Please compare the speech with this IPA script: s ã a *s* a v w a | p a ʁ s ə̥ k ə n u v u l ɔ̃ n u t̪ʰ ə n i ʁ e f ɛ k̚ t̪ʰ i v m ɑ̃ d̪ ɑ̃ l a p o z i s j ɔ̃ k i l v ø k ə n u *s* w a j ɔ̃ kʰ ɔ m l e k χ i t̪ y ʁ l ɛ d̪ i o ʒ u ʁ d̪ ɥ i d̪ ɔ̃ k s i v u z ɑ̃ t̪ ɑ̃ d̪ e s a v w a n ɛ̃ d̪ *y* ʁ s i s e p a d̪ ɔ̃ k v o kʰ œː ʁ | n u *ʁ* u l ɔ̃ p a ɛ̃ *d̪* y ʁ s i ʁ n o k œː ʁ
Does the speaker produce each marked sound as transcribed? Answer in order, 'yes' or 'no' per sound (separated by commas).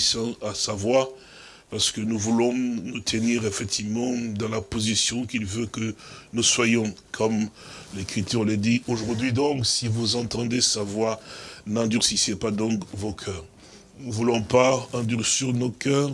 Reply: yes, yes, yes, no, yes